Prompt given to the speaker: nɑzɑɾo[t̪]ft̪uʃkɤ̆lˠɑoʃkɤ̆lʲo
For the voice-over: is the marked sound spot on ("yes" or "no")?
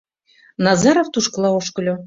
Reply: no